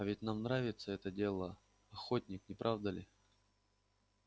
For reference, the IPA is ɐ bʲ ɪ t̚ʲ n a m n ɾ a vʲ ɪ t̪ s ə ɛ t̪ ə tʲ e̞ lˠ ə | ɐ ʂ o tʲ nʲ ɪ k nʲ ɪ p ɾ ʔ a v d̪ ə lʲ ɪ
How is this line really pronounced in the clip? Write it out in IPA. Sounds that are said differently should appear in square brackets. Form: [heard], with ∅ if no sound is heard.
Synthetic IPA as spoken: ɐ [vʲ] ɪ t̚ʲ n a m n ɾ a vʲ ɪ t̪ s ə ɛ t̪ ə [dʲ] e̞ lˠ ə | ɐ [x] o tʲ nʲ ɪ k nʲ ɪ p ɾ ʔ a v d̪ ə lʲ ɪ